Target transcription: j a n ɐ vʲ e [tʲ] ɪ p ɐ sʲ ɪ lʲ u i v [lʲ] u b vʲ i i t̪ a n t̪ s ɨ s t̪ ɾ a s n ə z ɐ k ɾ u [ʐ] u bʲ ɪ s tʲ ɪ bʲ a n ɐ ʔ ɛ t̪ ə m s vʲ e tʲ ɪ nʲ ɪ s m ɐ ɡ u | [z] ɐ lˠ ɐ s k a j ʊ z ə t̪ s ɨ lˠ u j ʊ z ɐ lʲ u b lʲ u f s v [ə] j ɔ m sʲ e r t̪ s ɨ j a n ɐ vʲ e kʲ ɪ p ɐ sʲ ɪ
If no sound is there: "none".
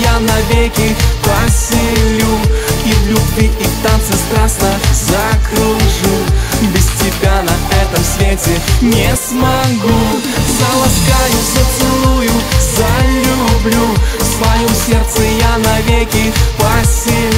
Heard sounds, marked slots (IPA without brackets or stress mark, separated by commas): kʲ, lʲ, ʐ, z, ɐ